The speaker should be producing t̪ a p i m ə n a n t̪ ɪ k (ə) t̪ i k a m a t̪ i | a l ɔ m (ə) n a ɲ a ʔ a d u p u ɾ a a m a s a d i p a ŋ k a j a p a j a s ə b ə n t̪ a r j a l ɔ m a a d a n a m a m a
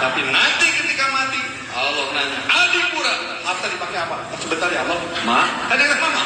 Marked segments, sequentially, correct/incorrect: correct, correct

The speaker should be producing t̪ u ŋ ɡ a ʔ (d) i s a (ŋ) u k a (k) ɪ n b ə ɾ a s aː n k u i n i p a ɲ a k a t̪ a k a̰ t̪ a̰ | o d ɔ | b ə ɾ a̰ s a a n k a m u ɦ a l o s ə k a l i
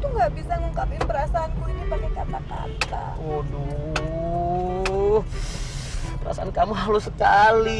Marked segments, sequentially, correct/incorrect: incorrect: b, correct, incorrect: p

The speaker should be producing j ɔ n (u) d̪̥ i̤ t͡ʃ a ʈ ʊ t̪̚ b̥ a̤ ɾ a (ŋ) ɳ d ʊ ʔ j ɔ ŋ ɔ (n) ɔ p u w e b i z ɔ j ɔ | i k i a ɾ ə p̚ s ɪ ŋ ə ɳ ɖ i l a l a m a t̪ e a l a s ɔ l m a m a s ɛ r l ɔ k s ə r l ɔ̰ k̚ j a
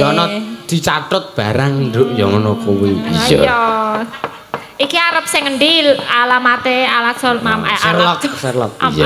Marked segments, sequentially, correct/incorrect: incorrect: ɔ, correct, correct

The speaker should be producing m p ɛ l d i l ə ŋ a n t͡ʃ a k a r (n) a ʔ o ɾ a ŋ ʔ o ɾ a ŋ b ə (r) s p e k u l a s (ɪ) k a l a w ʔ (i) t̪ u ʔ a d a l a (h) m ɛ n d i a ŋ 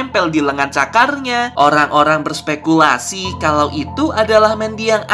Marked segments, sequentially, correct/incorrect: incorrect: ɲ, correct, incorrect: i, correct, correct

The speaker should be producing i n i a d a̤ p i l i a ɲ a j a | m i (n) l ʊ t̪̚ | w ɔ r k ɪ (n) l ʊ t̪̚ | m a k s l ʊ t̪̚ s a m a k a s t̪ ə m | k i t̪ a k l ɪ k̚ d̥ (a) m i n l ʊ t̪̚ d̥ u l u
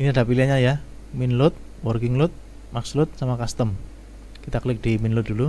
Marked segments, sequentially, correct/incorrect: correct, incorrect: ŋ, incorrect: i

